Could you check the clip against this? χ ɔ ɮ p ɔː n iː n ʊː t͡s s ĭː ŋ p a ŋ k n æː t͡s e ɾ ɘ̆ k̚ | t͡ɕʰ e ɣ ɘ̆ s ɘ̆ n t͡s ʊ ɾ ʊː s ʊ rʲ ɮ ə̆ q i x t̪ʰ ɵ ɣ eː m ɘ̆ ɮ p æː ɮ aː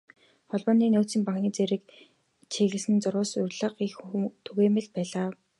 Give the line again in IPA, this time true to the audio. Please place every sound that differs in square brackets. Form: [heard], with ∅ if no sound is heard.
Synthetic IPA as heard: χ ɔ ɮ p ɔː n iː n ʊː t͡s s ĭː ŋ p a ŋ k n [iː] t͡s e ɾ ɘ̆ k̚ | t͡ɕʰ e ɣ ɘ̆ s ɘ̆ n t͡s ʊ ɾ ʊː s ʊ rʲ ɮ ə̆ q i x t̪ʰ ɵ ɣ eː m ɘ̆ ɮ p æː ɮ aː